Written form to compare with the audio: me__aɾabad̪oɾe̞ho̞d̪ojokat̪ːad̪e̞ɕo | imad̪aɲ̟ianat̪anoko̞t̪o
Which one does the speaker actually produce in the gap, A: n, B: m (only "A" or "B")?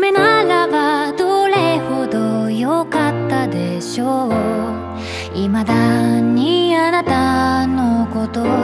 A